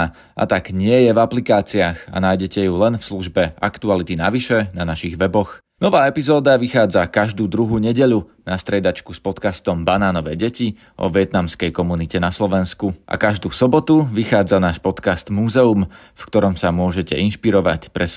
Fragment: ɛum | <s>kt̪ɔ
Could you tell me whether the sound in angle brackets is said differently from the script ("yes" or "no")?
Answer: yes